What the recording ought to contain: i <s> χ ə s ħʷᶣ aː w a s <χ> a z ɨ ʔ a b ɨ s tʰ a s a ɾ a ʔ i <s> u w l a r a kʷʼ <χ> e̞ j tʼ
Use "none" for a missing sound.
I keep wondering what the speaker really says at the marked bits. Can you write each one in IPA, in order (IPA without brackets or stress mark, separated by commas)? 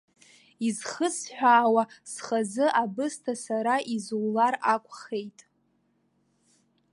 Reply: z, χ, z, χ